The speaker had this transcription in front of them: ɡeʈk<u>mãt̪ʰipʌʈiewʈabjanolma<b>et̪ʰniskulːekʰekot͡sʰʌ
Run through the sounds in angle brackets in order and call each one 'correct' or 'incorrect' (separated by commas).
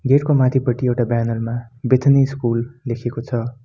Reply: incorrect, correct